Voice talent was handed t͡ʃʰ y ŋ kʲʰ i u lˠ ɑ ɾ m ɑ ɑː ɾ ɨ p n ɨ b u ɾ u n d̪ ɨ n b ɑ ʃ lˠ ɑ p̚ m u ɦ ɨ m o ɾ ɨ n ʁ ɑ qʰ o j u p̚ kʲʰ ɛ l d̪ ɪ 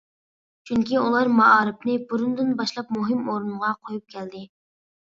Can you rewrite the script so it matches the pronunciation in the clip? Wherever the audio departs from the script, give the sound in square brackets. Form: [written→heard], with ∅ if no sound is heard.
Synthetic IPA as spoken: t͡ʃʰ y ŋ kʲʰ i u lˠ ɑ ɾ m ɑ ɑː ɾ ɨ p n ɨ b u ɾ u n d̪ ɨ n b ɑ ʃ lˠ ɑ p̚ m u ɦ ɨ m o ɾ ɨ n ʁ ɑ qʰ o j u p̚ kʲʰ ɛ l d̪ ɪ